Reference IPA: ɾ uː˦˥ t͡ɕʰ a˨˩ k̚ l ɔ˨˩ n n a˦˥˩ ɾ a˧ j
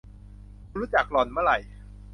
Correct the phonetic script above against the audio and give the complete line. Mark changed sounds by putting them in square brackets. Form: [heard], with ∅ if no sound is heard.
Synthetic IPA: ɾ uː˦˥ [t͡ɕ] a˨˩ k̚ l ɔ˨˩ n [m] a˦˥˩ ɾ [a˨˩] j